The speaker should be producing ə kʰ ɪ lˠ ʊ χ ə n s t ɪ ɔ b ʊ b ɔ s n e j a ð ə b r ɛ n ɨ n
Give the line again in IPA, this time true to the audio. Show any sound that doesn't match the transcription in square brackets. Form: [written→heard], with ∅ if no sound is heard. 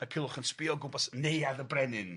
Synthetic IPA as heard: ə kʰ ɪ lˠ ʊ χ ə n s [t→p] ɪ ɔ [b→ɡ] ʊ b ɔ s n e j a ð ə b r ɛ n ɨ n

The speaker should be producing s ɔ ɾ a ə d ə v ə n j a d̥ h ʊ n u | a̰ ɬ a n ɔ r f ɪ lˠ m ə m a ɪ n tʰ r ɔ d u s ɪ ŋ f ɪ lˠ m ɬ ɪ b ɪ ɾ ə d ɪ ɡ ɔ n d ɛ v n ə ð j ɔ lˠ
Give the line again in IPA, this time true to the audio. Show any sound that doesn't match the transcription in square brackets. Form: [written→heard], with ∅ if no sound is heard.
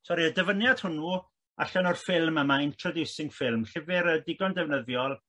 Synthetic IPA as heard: s ɔ ɾ [a→i] ə d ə v ə n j a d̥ h ʊ n u | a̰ ɬ a n ɔ r f ɪ lˠ m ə m a ɪ n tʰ r ɔ d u s ɪ ŋ f ɪ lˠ m ɬ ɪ [b→v] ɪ ɾ ə d ɪ ɡ ɔ n d ɛ v n ə ð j ɔ lˠ

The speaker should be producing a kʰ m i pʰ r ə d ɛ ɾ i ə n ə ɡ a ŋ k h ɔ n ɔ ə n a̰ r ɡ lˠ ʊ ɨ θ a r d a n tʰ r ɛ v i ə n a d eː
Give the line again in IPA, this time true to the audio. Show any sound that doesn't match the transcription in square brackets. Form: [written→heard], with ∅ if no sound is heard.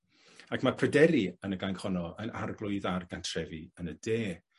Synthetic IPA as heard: a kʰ m [i→a] pʰ r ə d ɛ ɾ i ə n ə ɡ a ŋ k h ɔ n ɔ ə n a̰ r ɡ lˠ ʊ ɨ [θ→ð] a r [d→ɡ] a n tʰ r ɛ v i ə n [a→ə] d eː

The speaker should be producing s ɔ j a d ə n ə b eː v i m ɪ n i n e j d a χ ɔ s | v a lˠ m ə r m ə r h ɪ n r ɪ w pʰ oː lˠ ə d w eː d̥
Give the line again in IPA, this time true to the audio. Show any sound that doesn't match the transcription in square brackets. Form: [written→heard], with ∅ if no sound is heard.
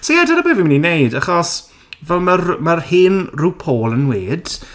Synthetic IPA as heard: s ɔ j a d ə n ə b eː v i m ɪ n i n e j d a χ ɔ s | v [a→ɛ] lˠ m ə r m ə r h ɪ n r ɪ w pʰ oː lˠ ə [d→n] w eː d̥

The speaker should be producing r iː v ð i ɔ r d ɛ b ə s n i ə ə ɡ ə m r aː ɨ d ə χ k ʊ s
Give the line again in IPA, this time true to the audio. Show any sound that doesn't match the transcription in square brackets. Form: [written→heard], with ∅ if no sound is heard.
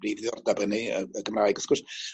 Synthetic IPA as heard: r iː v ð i ɔ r d [ɛ→a] b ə [s→∅] n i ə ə ɡ ə m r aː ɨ [d→ɡ] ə [χ→s] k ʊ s

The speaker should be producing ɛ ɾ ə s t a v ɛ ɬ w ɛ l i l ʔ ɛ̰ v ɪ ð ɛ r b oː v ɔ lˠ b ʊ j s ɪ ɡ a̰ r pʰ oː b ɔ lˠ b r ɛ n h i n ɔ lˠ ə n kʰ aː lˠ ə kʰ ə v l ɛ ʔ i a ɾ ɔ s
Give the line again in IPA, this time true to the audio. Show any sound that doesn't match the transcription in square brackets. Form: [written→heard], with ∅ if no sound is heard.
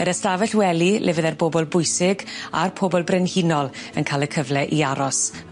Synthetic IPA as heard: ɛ ɾ ə s t a v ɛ ɬ w ɛ l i l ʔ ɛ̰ v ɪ ð ɛ r b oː [v→b] ɔ lˠ b ʊ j s ɪ ɡ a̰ r pʰ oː b ɔ lˠ b r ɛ n h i n ɔ lˠ ə n kʰ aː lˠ ə kʰ ə v l ɛ ʔ i a ɾ ɔ s

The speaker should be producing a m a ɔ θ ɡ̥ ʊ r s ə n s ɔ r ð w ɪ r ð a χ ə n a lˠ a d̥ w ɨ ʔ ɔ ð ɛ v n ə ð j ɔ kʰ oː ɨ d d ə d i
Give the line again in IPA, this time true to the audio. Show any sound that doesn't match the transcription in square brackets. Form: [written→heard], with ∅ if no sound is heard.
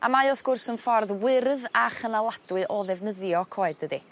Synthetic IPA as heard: a m a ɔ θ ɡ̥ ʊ r s ə n [s→f] ɔ r ð w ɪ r ð a χ ə n a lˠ a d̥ w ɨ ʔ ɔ ð ɛ v n ə ð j ɔ kʰ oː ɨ d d ə d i

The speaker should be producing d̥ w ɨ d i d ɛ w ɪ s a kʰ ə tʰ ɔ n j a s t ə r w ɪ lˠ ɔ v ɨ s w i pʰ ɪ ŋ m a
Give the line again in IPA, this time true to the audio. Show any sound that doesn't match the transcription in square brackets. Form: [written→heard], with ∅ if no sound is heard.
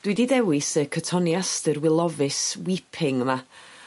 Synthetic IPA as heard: d̥ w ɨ d i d ɛ w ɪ s [a→ə] kʰ ə tʰ ɔ n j a s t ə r w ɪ lˠ ɔ v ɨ s w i pʰ ɪ ŋ m a

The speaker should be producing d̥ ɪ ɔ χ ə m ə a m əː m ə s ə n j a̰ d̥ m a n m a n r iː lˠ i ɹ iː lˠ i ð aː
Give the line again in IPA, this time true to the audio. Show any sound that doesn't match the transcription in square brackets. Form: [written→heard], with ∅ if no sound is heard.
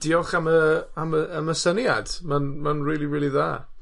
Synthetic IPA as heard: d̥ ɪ ɔ χ [ə→a] m ə a m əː m ə s ə n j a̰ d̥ m a n m a n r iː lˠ i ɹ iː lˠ i ð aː

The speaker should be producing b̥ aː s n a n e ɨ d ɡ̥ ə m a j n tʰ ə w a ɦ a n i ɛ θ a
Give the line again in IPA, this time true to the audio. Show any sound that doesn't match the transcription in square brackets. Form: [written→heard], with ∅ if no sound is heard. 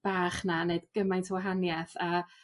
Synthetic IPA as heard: b̥ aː [s→χ] n a n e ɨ d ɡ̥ ə m a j n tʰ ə w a ɦ a n [i→j] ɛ θ a

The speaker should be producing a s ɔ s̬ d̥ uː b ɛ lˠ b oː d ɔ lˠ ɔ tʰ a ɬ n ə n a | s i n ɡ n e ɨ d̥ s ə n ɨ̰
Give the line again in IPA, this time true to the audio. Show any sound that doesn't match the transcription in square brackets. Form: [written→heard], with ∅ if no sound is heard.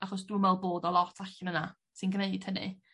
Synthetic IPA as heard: a [s→χ] ɔ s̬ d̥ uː [b→m] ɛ lˠ b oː d ɔ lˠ ɔ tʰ a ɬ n ə n a | s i n ɡ n e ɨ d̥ [s→h] ə n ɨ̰

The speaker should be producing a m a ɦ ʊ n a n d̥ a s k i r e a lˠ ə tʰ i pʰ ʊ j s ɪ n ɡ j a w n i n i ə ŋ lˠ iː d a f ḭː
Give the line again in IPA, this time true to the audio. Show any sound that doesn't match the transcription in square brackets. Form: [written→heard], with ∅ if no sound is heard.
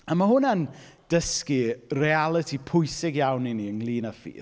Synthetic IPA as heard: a m a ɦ ʊ n a n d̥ [a→ə] s k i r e a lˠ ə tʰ i pʰ ʊ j s ɪ [n→∅] ɡ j a w n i n i ə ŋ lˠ iː [d→n] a f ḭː

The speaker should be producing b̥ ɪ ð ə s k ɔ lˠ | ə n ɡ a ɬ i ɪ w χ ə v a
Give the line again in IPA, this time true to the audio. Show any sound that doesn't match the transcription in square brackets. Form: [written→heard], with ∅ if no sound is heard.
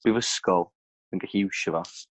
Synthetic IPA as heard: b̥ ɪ [ð→v] ə s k ɔ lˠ | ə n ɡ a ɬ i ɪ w [χ→ʃ] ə v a

